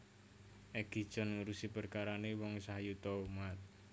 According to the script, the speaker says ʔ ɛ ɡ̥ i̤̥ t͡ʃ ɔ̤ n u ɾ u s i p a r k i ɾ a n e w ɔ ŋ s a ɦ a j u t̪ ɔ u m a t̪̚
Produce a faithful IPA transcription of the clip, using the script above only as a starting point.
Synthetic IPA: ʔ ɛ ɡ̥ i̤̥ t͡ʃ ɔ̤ n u ɾ u s i p ə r k a ɾ a n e w ɔ ŋ s a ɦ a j u t̪ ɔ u m a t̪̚